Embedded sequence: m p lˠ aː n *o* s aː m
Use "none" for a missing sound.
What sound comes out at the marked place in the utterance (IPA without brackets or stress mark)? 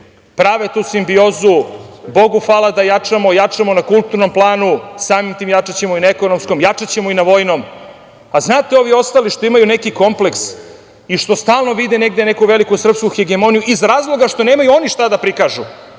u